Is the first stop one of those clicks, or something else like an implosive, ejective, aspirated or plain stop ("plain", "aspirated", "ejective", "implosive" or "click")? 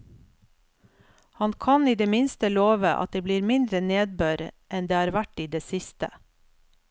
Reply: aspirated